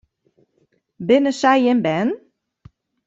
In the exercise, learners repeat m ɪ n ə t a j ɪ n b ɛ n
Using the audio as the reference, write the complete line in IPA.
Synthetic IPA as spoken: b ɪ n ə s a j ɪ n b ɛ n